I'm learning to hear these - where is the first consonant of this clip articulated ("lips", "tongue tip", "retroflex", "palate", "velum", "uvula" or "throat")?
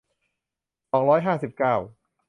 tongue tip